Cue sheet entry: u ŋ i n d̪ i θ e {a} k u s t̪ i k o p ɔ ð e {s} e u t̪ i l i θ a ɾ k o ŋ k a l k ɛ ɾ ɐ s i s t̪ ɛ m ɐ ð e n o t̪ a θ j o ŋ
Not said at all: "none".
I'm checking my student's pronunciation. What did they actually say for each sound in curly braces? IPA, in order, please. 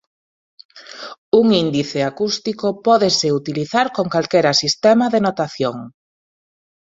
a, s

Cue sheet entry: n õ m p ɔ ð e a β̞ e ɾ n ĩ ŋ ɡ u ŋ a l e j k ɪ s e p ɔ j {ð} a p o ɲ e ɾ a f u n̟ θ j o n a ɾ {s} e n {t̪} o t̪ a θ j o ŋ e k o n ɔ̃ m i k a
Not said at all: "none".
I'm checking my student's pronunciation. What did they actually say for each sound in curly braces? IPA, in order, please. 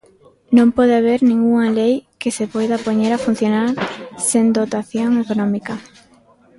ð, s, d̪

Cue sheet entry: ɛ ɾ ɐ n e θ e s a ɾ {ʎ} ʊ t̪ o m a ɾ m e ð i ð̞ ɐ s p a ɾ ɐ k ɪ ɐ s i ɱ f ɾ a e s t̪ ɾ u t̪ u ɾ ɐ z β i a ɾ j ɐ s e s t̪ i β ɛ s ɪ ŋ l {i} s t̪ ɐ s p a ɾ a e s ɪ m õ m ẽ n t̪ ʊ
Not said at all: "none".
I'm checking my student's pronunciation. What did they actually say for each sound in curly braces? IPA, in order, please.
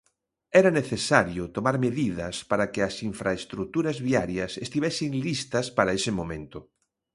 j, i

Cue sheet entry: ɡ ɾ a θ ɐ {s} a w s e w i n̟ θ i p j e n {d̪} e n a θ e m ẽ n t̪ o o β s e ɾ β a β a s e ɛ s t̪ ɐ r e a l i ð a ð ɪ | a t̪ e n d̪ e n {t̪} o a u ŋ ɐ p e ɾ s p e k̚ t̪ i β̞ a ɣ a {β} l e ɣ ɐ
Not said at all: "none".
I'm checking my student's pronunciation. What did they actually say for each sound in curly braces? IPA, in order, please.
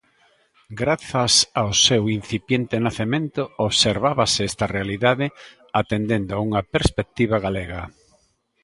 s, t̪, d̪, none

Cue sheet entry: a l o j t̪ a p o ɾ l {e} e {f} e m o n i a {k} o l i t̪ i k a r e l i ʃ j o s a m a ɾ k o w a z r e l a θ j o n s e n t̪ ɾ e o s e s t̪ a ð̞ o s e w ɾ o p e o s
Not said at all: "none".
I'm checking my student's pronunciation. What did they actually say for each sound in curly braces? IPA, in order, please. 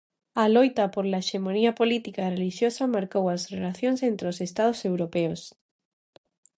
a, ʃ, p

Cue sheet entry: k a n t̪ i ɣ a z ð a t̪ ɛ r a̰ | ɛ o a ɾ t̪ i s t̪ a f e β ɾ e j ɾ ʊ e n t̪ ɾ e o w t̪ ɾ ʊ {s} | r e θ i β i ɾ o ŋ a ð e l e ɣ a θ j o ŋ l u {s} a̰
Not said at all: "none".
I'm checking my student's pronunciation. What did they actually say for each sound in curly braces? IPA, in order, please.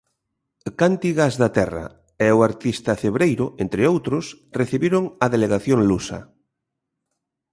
s, s

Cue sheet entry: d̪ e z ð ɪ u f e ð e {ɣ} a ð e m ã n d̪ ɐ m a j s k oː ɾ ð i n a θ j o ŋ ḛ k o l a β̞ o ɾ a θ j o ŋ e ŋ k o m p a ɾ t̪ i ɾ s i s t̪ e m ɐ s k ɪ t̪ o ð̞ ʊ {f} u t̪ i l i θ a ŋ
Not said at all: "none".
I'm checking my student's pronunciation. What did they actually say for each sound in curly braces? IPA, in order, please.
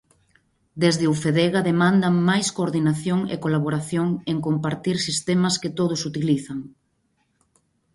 ɣ, s

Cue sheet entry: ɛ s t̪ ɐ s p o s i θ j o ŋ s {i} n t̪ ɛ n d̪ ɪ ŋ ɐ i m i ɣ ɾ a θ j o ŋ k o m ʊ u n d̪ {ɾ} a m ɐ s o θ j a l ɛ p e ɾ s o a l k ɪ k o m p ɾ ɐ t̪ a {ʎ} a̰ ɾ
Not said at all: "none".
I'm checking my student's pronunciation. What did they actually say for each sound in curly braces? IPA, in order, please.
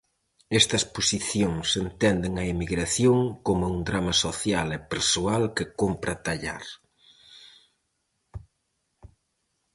e, ɾ, ʎ

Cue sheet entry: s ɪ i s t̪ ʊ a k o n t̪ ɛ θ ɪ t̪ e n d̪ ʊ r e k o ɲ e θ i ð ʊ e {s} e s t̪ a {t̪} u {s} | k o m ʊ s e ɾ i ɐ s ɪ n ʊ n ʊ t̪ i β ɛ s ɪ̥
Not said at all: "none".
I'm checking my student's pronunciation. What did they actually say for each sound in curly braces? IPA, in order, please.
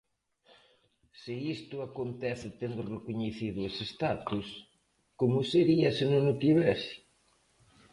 s, t̪, s

